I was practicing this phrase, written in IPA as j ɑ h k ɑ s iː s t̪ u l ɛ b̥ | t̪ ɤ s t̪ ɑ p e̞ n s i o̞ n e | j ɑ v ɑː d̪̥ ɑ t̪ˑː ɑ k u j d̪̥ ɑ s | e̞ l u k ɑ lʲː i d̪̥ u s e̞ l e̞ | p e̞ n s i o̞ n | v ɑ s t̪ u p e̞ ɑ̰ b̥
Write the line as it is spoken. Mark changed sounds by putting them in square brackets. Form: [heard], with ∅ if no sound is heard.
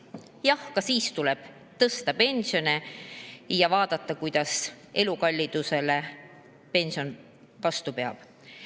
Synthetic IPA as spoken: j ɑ h k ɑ s iː s t̪ u l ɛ b̥ | t̪ ɤ s t̪ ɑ p e̞ n s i o̞ n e | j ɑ v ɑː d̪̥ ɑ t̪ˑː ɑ k u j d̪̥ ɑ s | e̞ l u k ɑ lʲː i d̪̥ u s e̞ l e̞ | p e̞ n s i o̞ n | v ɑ s t̪ u p e̞ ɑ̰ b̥